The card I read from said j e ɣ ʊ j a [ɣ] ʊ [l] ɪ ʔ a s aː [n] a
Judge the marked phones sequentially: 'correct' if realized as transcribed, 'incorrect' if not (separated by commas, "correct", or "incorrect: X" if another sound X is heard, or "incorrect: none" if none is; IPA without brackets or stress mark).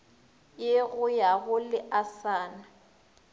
correct, correct, correct